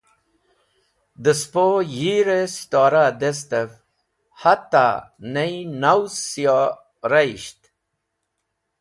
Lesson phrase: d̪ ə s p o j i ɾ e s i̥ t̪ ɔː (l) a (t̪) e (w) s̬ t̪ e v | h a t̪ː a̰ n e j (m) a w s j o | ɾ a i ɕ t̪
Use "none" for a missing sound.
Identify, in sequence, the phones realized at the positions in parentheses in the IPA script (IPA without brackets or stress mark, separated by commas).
ɾ, d̪, none, n